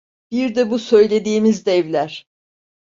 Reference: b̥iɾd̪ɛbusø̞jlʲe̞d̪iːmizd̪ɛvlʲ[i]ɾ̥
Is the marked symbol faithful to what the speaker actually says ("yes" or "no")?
no